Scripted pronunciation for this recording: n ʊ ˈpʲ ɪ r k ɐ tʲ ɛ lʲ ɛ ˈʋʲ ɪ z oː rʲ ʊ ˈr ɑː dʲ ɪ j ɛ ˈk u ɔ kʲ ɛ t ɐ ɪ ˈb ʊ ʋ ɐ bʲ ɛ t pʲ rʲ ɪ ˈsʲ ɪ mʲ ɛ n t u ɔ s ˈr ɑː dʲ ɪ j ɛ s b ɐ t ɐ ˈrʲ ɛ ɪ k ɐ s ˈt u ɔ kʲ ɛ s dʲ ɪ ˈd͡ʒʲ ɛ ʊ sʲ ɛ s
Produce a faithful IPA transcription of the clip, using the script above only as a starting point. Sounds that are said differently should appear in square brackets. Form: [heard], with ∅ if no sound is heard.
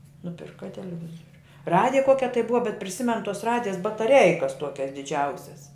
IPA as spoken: n ʊ ˈpʲ ɪ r k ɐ tʲ ɛ lʲ ɛ ˈʋʲ ɪ z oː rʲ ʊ ˈr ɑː dʲ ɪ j ɛ ˈk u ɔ kʲ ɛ t ɐ ɪ ˈb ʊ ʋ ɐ bʲ ɛ t pʲ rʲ ɪ ˈsʲ ɪ mʲ ɛ n t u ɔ s ˈr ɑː dʲ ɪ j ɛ s b ɐ t ɐ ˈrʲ ɛ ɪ k ɐ s ˈt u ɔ kʲ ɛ s dʲ ɪ ˈd͡ʒʲ ɛ ʊ sʲ ɛ s